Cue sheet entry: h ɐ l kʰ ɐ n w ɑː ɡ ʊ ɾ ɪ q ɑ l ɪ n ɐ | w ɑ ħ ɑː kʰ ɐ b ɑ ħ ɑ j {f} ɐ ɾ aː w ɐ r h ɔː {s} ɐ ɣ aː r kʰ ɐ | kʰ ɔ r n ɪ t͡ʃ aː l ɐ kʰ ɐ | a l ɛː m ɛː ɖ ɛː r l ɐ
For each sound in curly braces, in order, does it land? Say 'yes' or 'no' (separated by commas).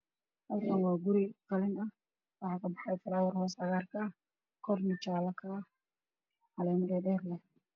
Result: yes, yes